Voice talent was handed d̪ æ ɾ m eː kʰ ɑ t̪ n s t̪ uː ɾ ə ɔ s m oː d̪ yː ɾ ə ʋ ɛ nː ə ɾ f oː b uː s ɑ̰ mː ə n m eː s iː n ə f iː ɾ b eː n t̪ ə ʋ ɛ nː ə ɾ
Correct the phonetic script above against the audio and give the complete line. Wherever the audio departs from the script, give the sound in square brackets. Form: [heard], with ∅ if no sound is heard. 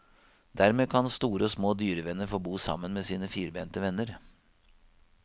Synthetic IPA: d̪ æ ɾ m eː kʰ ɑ [∅] n s t̪ uː ɾ ə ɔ s m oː d̪ yː ɾ ə ʋ ɛ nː ə ɾ f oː b uː s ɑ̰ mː ə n m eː s iː n ə f iː ɾ b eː n t̪ ə ʋ ɛ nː ə ɾ